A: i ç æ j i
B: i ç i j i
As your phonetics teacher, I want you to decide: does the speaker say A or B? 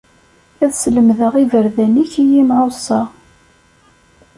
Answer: B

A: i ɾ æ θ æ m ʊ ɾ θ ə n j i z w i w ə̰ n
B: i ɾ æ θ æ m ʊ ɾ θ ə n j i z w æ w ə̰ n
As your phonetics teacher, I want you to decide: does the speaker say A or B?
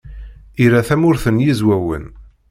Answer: B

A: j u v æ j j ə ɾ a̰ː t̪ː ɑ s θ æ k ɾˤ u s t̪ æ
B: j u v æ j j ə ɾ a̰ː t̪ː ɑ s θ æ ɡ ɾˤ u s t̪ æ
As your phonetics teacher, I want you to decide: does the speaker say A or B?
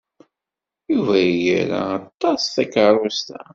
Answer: A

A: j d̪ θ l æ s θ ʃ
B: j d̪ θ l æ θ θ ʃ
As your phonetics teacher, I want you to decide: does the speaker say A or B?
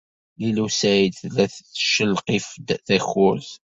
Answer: B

